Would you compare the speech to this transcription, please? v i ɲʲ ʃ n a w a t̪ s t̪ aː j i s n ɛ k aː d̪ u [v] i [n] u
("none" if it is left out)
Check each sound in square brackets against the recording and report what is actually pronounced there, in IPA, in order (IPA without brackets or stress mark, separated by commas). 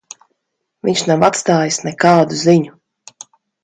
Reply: z, ɲ